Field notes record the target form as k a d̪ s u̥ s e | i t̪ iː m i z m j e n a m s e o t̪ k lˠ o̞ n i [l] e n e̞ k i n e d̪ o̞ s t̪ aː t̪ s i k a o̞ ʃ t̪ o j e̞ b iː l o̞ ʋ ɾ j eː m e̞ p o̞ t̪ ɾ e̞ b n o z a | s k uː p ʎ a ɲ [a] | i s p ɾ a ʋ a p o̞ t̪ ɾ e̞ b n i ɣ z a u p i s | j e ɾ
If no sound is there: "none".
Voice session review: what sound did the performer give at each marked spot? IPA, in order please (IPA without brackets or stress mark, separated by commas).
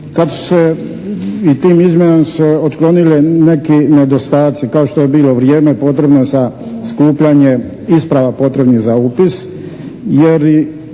l, e